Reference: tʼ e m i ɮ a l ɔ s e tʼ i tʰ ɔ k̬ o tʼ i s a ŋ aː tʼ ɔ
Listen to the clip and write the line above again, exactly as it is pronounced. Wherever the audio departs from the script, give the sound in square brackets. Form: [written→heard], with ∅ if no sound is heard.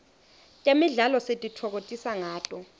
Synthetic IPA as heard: tʼ e m i ɮ a l ɔ s e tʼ i tʰ ɔ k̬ o tʼ i s a ŋ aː tʼ ɔ